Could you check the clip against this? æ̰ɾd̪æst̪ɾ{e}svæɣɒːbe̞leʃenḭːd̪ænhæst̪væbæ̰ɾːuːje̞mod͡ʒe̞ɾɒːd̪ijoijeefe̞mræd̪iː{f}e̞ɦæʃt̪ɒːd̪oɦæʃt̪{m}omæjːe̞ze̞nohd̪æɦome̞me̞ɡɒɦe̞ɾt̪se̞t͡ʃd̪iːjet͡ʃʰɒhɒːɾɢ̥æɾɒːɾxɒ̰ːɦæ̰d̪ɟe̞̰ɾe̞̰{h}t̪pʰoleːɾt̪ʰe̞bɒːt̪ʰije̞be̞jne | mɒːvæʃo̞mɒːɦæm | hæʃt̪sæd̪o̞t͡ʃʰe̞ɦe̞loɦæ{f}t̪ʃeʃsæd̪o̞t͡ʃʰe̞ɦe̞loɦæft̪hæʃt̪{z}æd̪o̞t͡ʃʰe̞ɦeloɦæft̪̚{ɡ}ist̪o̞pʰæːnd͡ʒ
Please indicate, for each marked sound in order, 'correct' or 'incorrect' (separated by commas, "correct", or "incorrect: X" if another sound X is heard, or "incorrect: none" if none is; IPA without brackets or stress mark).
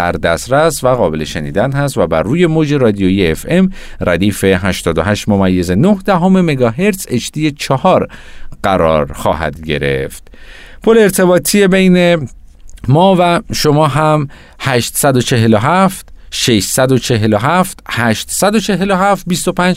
incorrect: æ, correct, correct, incorrect: f, correct, incorrect: s, incorrect: b